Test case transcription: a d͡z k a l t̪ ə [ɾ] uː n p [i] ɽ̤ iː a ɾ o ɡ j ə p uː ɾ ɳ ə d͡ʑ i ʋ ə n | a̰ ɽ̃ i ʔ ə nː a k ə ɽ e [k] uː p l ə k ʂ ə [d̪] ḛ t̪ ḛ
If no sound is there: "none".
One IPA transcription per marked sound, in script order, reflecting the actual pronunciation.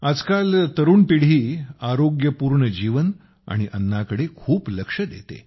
ɾ, i, kʰ, d̪

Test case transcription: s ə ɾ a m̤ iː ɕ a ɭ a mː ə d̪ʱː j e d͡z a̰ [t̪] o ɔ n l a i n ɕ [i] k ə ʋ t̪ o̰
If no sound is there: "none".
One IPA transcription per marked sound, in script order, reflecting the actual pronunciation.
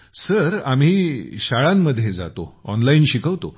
t̪, i

